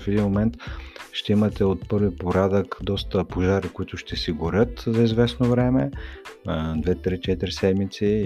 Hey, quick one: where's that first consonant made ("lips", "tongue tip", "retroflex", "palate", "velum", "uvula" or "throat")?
lips